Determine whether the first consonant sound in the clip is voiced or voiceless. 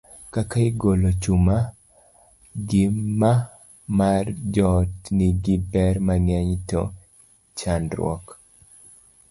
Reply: voiceless